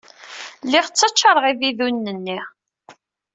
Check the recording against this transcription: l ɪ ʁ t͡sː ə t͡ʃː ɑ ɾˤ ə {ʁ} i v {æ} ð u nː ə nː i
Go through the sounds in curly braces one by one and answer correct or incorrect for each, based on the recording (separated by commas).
correct, incorrect